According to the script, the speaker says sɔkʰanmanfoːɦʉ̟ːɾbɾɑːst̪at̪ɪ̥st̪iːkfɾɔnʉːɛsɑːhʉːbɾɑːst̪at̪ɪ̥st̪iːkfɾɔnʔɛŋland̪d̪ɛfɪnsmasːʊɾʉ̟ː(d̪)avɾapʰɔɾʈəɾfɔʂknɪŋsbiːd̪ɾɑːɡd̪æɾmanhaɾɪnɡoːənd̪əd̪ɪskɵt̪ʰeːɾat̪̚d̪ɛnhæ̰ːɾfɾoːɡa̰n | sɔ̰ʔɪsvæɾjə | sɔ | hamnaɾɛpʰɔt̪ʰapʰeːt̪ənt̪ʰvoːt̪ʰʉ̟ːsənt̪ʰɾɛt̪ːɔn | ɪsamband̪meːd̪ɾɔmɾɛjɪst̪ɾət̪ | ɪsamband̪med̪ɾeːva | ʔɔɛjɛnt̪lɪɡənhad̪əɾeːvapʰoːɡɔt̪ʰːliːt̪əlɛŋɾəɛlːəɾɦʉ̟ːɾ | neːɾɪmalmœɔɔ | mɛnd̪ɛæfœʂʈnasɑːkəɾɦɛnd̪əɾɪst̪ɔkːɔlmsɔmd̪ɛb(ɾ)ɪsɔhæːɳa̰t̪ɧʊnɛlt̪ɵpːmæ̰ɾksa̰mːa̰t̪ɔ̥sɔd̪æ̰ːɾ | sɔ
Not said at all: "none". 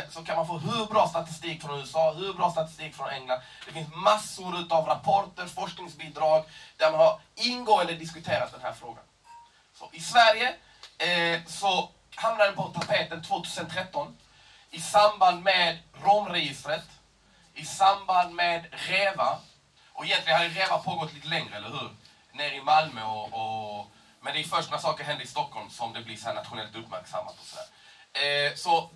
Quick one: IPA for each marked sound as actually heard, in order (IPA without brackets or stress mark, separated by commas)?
t̪, l